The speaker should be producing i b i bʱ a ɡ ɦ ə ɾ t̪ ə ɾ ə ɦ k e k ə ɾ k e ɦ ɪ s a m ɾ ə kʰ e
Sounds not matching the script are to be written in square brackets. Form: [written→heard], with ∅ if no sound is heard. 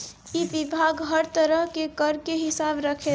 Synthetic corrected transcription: i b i bʱ a ɡ ɦ ə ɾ t̪ ə ɾ ə ɦ k e k ə ɾ k e ɦ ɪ s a [m→b] ɾ ə kʰ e